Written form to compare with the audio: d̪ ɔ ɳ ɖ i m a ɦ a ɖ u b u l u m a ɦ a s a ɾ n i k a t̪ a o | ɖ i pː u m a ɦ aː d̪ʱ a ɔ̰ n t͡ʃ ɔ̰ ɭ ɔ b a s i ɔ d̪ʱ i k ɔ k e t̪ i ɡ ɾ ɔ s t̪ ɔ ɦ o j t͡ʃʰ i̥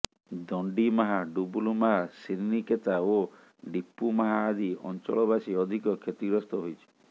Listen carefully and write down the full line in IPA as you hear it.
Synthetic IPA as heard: d̪ ɔ ɳ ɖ i m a ɦ a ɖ u b u l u m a ɦ a s i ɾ n i k e t̪ a o | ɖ i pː u m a ɦ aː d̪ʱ i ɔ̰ n t͡ʃ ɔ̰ ɭ ɔ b a s i ɔ d̪ʱ i k ɔ kʰ e t̪ i ɡ ɾ ɔ s t̪ ɔ ɦ o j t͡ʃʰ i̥

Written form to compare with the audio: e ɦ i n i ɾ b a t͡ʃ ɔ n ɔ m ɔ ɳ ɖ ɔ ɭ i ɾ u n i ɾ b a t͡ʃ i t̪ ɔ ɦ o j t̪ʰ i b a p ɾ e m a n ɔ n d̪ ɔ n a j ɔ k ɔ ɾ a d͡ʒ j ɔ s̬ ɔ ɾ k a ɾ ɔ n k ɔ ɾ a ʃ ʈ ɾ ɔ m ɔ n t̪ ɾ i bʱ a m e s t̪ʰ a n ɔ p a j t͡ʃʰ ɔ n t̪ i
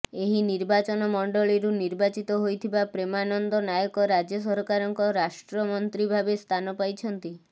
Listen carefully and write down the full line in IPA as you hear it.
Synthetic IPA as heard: e ɦ i n i ɾ b a t͡ʃ ɔ n ɔ m ɔ ɳ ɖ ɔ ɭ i ɾ u n i ɾ b a t͡ʃ i t̪ ɔ ɦ o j t̪ʰ i b a p ɾ e m a n ɔ n d̪ ɔ n a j ɔ k ɔ ɾ a d͡ʒ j ɔ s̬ ɔ ɾ k a ɾ ɔ ŋ k ɔ ɾ a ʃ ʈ ɾ ɔ m ɔ n t̪ ɾ i bʱ a b e s t̪ʰ a n ɔ p a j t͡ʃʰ ɔ n t̪ i

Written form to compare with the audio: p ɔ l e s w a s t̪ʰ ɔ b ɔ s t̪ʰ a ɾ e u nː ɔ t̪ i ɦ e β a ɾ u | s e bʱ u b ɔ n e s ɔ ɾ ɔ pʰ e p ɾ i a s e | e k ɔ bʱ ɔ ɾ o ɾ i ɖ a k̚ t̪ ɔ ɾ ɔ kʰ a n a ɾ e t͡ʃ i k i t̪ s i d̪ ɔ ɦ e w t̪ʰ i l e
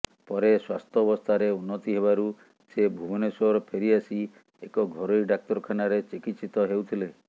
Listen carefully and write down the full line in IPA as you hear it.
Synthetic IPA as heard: p ɔ ɾ e s w a s t̪ʰ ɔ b ɔ s t̪ʰ a ɾ e u nː ɔ t̪ i ɦ e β a ɾ u | s e bʱ u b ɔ n e s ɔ ɾ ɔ pʰ e ɾ i a s i | e k ɔ ɡʱ ɔ ɾ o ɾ i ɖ a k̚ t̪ ɔ ɾ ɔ kʰ a n a ɾ e t͡ʃ i k i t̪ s i t̪ ɔ ɦ e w t̪ʰ i l e

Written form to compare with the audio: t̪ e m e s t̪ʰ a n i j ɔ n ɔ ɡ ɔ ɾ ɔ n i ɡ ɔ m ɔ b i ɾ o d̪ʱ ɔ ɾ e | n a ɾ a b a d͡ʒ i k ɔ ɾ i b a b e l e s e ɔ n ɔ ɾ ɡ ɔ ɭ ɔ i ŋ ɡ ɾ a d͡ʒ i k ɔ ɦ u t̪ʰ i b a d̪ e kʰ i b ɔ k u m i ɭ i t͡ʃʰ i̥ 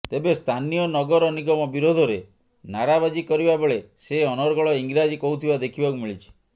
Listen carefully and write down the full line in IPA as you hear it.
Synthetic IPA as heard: t̪ e b e s t̪ʰ a n i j ɔ n ɔ ɡ ɔ ɾ ɔ n i ɡ ɔ m ɔ b i ɾ o d̪ʱ ɔ ɾ e | n a ɾ a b a d͡ʒ i k ɔ ɾ i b a b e ɭ e s e ɔ n ɔ ɾ ɡ ɔ ɭ ɔ i ŋ ɡ ɾ a d͡ʒ i k ɔ ɦ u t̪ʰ i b a d̪ e kʰ i b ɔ k u m i ɭ i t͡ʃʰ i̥

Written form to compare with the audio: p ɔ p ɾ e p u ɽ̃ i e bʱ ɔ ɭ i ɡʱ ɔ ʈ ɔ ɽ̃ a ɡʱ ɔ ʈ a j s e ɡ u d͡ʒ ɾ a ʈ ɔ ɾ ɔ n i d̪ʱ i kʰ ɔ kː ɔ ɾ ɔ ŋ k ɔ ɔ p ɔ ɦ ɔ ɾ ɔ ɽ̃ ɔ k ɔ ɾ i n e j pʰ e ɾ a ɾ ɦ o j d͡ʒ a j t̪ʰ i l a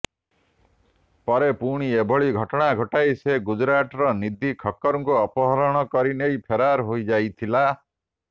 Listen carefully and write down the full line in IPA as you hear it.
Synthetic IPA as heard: p ɔ ɾ e p u ɽ̃ i e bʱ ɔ ɭ i ɡʱ ɔ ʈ ɔ ɽ̃ a ɡʱ ɔ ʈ a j s e ɡ u d͡ʒ ɾ a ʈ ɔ ɾ ɔ n i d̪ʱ i kʰ ɔ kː ɔ ɾ ɔ ŋ k u ɔ p ɔ ɦ ɔ ɾ ɔ ɽ̃ ɔ k ɔ ɾ i n e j pʰ e ɾ a ɾ ɦ o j d͡ʒ a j t̪ʰ i l a

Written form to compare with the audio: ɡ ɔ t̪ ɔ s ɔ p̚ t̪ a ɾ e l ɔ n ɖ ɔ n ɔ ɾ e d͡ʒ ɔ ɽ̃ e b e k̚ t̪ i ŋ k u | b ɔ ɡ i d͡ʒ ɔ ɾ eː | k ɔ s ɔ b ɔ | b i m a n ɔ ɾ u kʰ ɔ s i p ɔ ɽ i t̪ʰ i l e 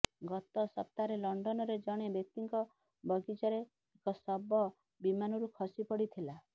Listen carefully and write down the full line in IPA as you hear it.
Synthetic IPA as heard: ɡ ɔ t̪ ɔ s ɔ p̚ t̪ a ɾ e l ɔ ɳ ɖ ɔ n ɔ ɾ e d͡ʒ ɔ ɽ̃ e b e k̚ t̪ i ŋ k ɔ | b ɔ ɡ i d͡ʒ ɔ ɾ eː | k ɔ s ɔ b ɔ | b i m a n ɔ ɾ u kʰ ɔ s i p ɔ ɽ i t̪ʰ i l a

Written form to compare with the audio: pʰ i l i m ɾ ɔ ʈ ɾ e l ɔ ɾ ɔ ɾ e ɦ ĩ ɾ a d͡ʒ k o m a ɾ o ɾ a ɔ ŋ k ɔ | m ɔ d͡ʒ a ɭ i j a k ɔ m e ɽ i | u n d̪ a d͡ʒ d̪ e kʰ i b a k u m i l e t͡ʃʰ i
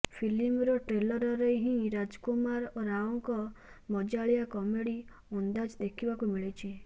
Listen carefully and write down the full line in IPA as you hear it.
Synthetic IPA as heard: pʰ i l i m ɾ ɔ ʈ ɾ e l ɔ ɾ ɔ ɾ e ɦ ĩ ɾ a d͡ʒ k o m a ɾ o ɾ a ɔ ŋ k ɔ | m ɔ d͡ʒ a ɭ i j a k ɔ m e ɽ i | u n d̪ a d͡ʒ d̪ e kʰ i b a k u m i ɭ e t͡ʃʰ i

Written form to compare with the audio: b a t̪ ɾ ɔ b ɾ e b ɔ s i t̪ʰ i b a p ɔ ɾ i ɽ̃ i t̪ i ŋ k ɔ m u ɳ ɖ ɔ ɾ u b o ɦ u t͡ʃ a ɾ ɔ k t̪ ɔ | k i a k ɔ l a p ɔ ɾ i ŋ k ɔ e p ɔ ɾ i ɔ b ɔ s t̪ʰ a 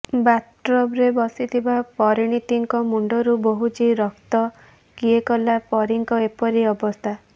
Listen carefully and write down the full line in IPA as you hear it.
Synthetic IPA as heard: b a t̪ ɾ ɔ b ɾ e b ɔ s i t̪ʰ i b a p ɔ ɾ i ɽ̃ i t̪ i ŋ k ɔ m u ɳ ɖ ɔ ɾ u b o ɦ u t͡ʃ i ɾ ɔ k t̪ ɔ | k i e k ɔ l a p ɔ ɾ i ŋ k ɔ e p ɔ ɾ i ɔ b ɔ s t̪ʰ a

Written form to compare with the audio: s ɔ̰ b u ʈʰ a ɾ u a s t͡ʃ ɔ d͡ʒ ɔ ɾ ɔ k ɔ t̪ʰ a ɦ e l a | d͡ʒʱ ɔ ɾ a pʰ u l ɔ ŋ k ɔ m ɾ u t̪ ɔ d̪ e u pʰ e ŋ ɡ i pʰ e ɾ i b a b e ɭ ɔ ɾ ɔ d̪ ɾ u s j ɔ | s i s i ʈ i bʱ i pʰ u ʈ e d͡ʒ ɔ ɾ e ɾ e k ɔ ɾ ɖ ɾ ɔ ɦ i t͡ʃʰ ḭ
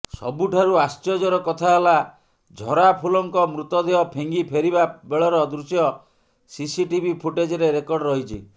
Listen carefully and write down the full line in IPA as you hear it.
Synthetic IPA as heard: s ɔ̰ b u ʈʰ a ɾ u a s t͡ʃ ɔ d͡ʒ ɔ ɾ ɔ k ɔ t̪ʰ a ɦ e l a | d͡ʒʱ ɔ ɾ a pʰ u l ɔ ŋ k ɔ m ɾ u t̪ ɔ d̪ e ɔ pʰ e ŋ ɡ i pʰ e ɾ i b a b e ɭ ɔ ɾ ɔ d̪ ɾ u s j ɔ | s i s i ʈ i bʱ i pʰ u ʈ e d͡ʒ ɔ ɾ e ɾ e k ɔ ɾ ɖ ɾ ɔ ɦ i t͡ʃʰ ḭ

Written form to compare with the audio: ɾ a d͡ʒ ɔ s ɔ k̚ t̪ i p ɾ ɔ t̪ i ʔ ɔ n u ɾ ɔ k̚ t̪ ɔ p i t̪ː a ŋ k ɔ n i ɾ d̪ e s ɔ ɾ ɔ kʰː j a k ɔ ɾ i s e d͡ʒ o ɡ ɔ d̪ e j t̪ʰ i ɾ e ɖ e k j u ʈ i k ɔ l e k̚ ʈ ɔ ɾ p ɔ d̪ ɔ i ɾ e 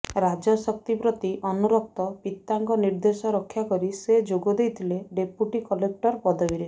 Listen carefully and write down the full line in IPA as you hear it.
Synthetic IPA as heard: ɾ a d͡ʒ ɔ s ɔ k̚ t̪ i p ɾ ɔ t̪ i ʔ ɔ n u ɾ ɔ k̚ t̪ ɔ p i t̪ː a ŋ k ɔ n i ɾ d̪ e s ɔ ɾ ɔ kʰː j a k ɔ ɾ i s e d͡ʒ o ɡ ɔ d̪ e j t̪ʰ i l e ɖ e p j u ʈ i k ɔ l e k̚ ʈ ɔ ɾ p ɔ d̪ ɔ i ɾ e

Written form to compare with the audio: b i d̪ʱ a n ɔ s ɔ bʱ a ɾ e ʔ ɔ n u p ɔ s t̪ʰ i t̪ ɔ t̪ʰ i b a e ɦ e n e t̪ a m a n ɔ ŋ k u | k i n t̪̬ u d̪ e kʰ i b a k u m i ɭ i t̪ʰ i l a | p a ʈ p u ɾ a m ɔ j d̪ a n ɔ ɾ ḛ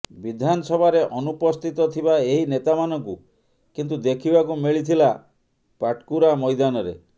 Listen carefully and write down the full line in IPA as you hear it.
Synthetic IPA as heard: b i d̪ʱ a n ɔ s ɔ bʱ a ɾ e ʔ ɔ n u p ɔ s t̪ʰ i t̪ ɔ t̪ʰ i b a e ɦ i n e t̪ a m a n ɔ ŋ k u | k i n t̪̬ u d̪ e kʰ i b a k u m i ɭ i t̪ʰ i l a | p a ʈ k u ɾ a m ɔ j d̪ a n ɔ ɾ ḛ

